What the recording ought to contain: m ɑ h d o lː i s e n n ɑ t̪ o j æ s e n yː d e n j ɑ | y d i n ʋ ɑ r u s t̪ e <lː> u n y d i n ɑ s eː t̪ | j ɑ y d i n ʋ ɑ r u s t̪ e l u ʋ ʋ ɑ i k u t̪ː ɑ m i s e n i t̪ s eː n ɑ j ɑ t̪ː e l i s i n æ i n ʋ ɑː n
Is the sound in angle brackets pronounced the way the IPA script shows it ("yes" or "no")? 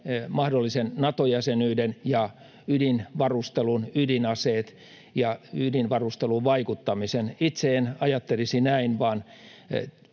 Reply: no